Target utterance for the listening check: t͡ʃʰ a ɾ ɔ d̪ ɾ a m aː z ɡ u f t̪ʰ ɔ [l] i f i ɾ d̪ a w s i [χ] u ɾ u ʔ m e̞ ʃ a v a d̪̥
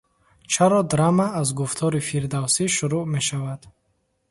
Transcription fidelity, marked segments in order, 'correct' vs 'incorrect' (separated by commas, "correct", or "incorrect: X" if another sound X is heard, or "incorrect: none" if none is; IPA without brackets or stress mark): incorrect: ɾ, incorrect: ʃ